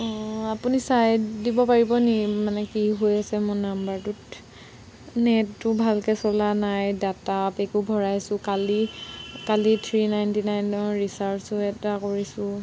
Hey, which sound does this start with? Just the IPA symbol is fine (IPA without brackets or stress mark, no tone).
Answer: a